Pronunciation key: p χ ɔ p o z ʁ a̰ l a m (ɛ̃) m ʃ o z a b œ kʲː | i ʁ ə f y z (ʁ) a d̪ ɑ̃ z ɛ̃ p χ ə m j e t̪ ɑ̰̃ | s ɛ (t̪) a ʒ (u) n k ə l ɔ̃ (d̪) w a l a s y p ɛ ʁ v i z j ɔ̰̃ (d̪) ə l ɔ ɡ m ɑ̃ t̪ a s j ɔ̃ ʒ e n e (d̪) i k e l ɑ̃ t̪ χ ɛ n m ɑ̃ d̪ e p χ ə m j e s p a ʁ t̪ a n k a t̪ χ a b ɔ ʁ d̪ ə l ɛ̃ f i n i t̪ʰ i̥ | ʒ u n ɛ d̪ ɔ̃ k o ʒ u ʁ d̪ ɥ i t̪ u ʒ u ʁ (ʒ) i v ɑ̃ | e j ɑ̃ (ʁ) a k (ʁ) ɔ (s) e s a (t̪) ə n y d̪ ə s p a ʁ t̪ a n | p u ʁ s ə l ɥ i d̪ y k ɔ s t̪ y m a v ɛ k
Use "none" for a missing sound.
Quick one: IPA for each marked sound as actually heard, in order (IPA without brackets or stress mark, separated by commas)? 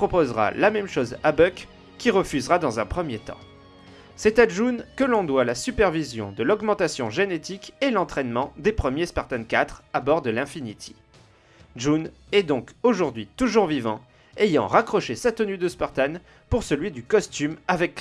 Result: ɛ, ʁ, t̪, u, d̪, d̪, t̪, v, ʁ, χ, ʃ, t̪